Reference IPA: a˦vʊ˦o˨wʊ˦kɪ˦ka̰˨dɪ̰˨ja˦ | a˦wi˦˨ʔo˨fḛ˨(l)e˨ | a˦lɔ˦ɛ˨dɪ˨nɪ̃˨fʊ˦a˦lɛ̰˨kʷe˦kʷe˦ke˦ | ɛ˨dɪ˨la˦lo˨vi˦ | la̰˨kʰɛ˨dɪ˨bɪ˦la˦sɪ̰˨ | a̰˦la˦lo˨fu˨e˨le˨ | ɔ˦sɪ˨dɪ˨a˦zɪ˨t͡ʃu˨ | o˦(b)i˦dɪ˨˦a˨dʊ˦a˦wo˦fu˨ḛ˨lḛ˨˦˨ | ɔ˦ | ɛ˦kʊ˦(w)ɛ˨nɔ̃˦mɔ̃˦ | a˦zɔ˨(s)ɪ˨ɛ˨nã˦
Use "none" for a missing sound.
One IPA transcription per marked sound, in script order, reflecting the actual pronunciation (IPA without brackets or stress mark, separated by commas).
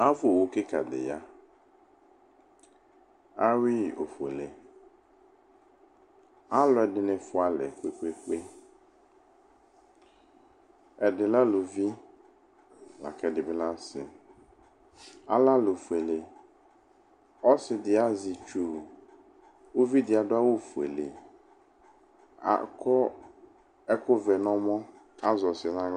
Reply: l, v, v, s